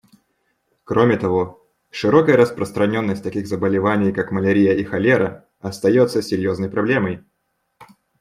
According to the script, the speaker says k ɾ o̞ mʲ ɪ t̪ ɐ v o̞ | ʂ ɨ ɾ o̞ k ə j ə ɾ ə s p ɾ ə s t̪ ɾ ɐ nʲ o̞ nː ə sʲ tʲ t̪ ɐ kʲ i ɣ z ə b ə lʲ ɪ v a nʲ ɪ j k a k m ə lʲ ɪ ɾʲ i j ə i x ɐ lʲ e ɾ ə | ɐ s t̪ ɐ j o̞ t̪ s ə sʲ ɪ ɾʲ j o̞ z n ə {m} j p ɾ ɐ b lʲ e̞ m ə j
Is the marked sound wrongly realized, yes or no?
yes